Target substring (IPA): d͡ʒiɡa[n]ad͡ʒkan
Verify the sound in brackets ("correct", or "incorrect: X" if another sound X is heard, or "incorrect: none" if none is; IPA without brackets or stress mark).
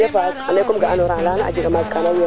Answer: incorrect: m